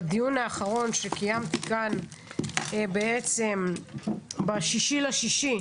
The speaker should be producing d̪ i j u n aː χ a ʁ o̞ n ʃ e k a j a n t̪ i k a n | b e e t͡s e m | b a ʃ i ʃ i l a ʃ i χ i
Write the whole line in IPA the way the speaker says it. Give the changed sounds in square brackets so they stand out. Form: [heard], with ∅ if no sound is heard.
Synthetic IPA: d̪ i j u n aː χ a ʁ o̞ n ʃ e k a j a [m] t̪ i k a n | b e e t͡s e m | b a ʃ i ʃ i l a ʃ i [ʃ] i

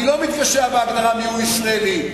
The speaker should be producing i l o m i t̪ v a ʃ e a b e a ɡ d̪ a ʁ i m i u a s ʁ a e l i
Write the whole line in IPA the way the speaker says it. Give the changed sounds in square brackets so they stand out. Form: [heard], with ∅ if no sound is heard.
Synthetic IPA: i l o m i t̪ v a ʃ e a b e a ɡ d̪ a ʁ [a] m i u [i] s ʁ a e l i

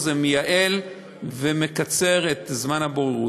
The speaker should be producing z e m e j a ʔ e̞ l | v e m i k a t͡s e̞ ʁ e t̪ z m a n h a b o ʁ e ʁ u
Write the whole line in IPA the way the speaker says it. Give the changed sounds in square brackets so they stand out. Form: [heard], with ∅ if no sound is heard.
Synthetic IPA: z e m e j a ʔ e̞ l | v e m [e] k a t͡s e̞ ʁ e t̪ z m a n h a b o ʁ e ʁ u

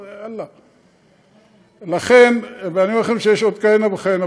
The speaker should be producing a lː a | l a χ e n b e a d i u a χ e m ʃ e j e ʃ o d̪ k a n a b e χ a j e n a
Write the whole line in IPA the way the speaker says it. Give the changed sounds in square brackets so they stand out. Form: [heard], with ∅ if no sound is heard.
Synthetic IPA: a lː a | l a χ e n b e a [n] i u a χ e m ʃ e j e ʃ o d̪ k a n a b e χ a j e n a

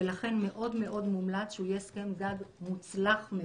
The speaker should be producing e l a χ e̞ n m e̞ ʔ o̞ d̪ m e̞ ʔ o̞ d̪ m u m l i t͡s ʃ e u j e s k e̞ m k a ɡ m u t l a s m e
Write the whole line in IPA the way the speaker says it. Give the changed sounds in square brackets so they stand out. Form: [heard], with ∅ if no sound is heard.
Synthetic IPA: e l a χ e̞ n m e̞ ʔ o̞ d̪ m e̞ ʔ o̞ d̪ m u m l [a] t͡s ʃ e u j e s k e̞ m [ɡ] a ɡ m u [t͡s] l a [χ] m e

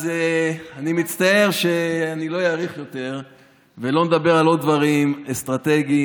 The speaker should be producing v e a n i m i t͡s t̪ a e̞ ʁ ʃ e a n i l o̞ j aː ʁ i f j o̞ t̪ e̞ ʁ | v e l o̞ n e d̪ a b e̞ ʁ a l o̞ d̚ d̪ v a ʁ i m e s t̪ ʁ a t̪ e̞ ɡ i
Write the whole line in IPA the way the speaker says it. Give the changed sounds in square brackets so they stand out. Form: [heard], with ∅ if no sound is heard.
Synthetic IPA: [z] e a n i m i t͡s t̪ a e̞ ʁ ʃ e a n i l o̞ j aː ʁ i [χ] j o̞ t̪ e̞ ʁ | v e l o̞ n e d̪ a b e̞ ʁ a l o̞ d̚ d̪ v a ʁ i m e s t̪ ʁ a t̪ e̞ ɡ i

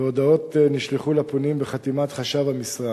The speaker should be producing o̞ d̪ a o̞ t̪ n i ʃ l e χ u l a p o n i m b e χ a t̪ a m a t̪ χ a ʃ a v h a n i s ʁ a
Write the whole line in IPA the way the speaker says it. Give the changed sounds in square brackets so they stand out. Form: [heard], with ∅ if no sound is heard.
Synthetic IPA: o̞ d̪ a o̞ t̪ n i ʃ l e χ u l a p o n i m b e χ a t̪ [i] m a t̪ χ a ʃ a v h a [m] i s ʁ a

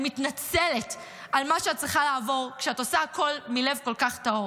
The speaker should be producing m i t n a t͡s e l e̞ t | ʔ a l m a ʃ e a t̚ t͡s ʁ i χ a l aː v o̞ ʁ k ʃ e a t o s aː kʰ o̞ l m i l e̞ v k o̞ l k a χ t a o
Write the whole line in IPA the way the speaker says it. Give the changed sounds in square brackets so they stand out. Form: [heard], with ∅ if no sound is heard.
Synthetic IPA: m i t n a t͡s e l e̞ t | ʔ a l m a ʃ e a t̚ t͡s ʁ i χ a l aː v o̞ ʁ k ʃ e a t o s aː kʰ o̞ l m i l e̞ v k o̞ l k a χ t a o

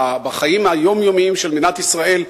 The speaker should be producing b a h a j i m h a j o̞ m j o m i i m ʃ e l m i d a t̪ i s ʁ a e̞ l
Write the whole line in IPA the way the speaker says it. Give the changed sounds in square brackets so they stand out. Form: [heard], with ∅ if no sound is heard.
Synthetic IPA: b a [χ] a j i m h a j o̞ m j o m i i m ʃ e l m i [n] a t̪ i s ʁ a e̞ l

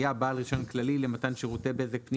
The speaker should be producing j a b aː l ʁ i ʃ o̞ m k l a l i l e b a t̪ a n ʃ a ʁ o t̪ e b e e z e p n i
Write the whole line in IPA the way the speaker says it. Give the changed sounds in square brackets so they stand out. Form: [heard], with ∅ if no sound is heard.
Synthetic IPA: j a b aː l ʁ i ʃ o̞ [n] k l a l i l e [m] a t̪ a n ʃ [e] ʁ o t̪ e b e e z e p n i

